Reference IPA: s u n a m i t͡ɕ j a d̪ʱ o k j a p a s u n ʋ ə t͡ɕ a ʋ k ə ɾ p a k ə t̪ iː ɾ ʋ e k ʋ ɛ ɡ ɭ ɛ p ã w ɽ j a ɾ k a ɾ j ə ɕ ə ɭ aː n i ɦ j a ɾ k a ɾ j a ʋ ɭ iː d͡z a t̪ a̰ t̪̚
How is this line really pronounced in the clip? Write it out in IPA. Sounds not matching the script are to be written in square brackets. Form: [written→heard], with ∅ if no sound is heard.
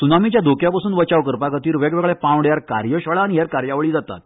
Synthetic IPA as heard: s u n a m i t͡ɕ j a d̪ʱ o k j a p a s [u→uː] n ʋ ə t͡ɕ a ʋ k ə ɾ p a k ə t̪ iː ɾ ʋ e [k→ɡ] ʋ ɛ ɡ ɭ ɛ p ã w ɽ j a ɾ k a ɾ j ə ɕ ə ɭ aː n i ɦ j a ɾ k a ɾ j a ʋ ɭ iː d͡z a t̪ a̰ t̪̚

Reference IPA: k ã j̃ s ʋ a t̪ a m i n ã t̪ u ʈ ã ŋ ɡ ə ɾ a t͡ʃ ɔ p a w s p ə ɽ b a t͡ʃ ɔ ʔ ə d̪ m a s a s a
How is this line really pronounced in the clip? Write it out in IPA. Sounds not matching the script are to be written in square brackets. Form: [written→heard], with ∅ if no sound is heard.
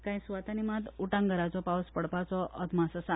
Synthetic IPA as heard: k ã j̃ s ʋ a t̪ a [m→n] i [n→m] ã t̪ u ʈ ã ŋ ɡ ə ɾ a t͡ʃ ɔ p a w s p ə ɽ [b→p] a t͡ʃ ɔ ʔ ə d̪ m a s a s a

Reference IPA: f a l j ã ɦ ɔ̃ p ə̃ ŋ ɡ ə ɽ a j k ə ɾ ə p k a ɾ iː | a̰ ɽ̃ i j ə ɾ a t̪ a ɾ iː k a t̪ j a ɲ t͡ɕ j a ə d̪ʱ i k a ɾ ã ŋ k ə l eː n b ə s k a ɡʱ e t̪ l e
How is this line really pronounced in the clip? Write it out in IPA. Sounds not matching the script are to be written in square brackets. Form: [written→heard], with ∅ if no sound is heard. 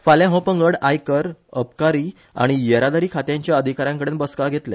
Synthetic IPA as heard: f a l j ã ɦ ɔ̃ p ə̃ ŋ ɡ ə ɽ a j k ə ɾ ə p k a ɾ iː | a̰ ɽ̃ i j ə ɾ a [t̪→d̪] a ɾ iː [k→kʰ] a t̪ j a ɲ t͡ɕ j a ə d̪ʱ i k a ɾ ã ŋ k ə [l→ɽ] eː n b ə s k a ɡʱ e t̪ l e

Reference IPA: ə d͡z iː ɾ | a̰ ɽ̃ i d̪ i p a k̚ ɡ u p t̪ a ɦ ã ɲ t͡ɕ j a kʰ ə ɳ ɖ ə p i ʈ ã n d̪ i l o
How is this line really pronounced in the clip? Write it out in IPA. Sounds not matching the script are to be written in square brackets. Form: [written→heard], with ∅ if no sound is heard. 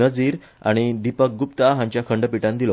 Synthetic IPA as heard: ə d͡z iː ɾ | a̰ ɽ̃ i d̪ i p [a→ə] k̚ ɡ u p t̪ a ɦ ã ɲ t͡ɕ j a kʰ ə ɳ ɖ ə p i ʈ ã n d̪ i l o

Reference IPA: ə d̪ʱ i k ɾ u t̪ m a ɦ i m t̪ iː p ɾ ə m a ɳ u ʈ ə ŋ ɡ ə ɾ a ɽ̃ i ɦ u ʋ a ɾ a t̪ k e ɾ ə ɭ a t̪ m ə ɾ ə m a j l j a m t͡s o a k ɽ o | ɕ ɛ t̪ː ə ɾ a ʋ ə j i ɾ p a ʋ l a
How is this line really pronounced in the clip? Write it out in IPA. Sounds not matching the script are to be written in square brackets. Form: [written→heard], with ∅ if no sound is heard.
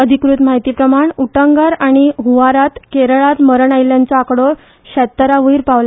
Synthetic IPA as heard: ə d̪ʱ i k ɾ u t̪ m a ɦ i [m→∅] t̪ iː p ɾ ə m a ɳ u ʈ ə ŋ ɡ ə ɾ a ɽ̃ i ɦ u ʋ a ɾ a t̪ k e ɾ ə ɭ a t̪ m ə ɾ ə [m→ɳ] a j l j a [m→n] t͡s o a k ɽ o | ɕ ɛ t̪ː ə ɾ a ʋ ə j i ɾ p a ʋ l a

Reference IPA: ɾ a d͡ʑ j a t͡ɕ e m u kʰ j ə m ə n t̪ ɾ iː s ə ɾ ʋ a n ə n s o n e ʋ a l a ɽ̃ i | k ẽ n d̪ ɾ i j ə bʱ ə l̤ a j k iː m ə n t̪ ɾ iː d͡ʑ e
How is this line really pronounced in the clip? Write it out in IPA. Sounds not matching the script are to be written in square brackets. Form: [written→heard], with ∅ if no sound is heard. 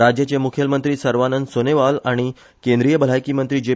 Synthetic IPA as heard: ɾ a d͡ʑ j a t͡ɕ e m u kʰ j ə m ə n t̪ ɾ iː s ə ɾ ʋ a n ə n s o n e ʋ a l a ɽ̃ i | k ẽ n d̪ ɾ i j ə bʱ ə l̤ a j k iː m ə n t̪ ɾ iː d͡ʑ e

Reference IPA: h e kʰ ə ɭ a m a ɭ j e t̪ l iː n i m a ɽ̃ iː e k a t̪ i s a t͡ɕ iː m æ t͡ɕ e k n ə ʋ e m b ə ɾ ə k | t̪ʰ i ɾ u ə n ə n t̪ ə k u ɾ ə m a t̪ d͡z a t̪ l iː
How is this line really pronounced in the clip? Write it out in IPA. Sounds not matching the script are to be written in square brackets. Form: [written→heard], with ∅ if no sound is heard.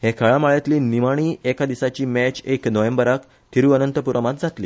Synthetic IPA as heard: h e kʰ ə ɭ a m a ɭ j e t̪ l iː n i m a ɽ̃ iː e k a [t̪→d̪] i s a t͡ɕ iː m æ t͡ɕ e k n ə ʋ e m b ə ɾ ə k | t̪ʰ i ɾ u ə n ə n t̪ ə [k→p] u ɾ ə m a t̪ d͡z a t̪ l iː

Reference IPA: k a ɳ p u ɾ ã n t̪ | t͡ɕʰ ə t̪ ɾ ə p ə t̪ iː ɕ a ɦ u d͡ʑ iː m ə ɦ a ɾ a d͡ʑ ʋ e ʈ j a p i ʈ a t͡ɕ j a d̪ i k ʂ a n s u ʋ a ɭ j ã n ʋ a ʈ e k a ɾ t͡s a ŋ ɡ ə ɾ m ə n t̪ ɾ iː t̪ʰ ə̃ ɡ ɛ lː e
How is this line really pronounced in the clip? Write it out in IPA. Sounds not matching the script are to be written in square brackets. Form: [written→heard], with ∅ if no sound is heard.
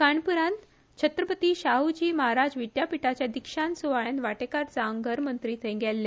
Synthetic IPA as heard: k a ɳ p u ɾ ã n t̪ | t͡ɕʰ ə t̪ ɾ ə p ə t̪ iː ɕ a ɦ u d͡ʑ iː m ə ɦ a ɾ a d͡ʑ ʋ [e→i] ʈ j a p i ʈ a t͡ɕ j a d̪ i k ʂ a n s u ʋ a ɭ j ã n ʋ a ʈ e k a ɾ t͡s a ŋ ɡ ə ɾ m ə n t̪ ɾ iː t̪ʰ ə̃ ɡ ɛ lː e

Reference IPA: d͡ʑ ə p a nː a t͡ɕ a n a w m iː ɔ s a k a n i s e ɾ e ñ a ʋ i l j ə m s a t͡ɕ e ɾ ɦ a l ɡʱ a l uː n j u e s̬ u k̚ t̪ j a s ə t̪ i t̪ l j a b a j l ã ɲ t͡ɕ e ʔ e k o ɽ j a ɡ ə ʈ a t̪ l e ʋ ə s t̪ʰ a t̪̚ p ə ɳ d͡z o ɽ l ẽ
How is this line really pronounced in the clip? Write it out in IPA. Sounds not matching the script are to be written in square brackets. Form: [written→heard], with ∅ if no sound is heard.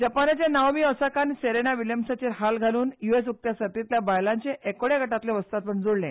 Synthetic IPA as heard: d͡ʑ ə p a [nː→n] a t͡ɕ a n a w m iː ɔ s a k a n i s e ɾ e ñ a ʋ i l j ə m s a t͡ɕ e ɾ ɦ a l ɡʱ a l uː n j u e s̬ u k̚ t̪ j a s ə t̪ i t̪ l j a b a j l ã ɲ t͡ɕ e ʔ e k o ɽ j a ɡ ə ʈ a t̪ l e ʋ ə s [t̪ʰ→t̪] a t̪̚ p ə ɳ d͡z o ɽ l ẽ

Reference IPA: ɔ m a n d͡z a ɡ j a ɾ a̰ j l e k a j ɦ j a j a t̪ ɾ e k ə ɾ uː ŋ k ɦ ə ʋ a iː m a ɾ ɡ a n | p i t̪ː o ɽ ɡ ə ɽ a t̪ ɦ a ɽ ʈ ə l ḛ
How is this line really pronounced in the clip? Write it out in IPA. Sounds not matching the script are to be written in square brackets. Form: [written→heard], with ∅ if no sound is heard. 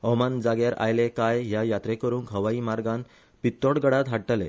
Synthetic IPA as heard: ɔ m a n d͡z a ɡ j a ɾ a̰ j l e k a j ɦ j a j a t̪ ɾ e k ə ɾ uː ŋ k ɦ ə ʋ a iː m a ɾ ɡ a n | p i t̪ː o ɽ ɡ ə ɽ a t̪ ɦ a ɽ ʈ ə l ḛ

